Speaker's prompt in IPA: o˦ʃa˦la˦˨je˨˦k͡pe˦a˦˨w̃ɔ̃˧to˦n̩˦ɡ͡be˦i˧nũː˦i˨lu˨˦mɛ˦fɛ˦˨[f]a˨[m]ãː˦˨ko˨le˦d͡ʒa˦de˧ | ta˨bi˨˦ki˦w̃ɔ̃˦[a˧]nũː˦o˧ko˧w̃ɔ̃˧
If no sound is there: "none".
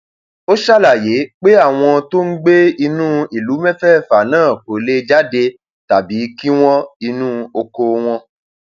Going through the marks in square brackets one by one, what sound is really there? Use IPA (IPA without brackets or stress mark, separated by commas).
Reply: f, n, i˧